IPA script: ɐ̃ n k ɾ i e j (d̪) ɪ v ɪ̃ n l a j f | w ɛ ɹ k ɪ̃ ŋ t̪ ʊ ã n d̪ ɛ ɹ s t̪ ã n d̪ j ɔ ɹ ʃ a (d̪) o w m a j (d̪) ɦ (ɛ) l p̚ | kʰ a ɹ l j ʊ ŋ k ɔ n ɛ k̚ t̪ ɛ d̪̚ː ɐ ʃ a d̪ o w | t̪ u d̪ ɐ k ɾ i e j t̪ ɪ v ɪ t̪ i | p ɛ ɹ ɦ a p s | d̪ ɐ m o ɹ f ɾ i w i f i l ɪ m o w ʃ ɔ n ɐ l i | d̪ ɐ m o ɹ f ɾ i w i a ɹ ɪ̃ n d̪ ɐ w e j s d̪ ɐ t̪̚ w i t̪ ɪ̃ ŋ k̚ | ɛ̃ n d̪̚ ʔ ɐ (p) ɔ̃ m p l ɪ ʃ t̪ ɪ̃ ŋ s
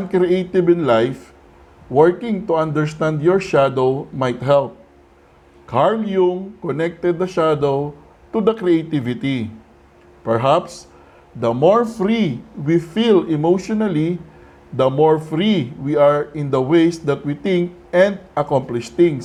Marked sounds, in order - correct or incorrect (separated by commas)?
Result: incorrect, correct, incorrect, correct, incorrect